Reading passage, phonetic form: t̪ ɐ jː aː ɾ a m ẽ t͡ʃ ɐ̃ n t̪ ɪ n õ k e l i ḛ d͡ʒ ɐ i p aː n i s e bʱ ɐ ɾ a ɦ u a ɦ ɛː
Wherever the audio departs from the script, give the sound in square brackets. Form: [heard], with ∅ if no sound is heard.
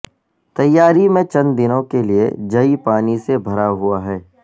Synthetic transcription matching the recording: t̪ ɐ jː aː ɾ [i] m ẽ t͡ʃ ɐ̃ n [d̪] ɪ n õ k e l i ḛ d͡ʒ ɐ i p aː n i s e bʱ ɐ ɾ a ɦ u a ɦ ɛː